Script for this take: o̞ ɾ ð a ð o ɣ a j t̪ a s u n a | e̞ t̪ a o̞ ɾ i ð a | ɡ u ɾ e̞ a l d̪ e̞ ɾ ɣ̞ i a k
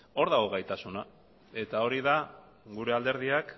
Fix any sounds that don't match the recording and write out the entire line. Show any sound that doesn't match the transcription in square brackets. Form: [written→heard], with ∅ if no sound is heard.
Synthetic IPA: o̞ ɾ ð a [ð→ɣ] o ɣ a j t̪ a s u n a | e̞ t̪ a o̞ ɾ i ð a | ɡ u ɾ e̞ a l d̪ e̞ ɾ [ɣ̞→ð̞] i a k